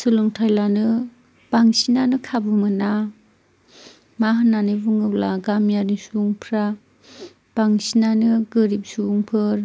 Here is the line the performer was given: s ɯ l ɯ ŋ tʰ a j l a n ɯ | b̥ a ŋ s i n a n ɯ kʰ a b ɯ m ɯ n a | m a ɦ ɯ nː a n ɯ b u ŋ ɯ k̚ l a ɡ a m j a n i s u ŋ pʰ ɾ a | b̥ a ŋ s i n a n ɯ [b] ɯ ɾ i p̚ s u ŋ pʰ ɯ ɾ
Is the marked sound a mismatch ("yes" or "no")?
yes